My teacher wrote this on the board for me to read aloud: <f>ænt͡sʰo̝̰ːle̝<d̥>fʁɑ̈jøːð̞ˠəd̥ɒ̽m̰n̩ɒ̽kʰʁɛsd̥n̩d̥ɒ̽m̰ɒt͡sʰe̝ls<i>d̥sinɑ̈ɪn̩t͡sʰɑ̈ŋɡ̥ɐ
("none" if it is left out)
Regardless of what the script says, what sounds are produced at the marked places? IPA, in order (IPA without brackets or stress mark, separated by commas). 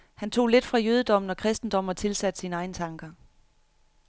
h, d̥, æ